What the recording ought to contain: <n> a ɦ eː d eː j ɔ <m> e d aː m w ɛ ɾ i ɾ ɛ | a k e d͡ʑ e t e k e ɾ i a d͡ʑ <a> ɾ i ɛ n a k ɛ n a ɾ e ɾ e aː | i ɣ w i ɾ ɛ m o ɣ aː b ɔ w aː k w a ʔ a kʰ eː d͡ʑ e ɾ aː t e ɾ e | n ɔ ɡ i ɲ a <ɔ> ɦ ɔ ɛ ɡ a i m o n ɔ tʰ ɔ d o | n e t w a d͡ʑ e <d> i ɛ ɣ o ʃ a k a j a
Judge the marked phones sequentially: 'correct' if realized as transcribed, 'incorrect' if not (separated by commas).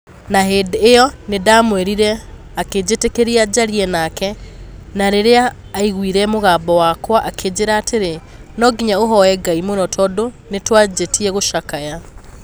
correct, incorrect, correct, incorrect, incorrect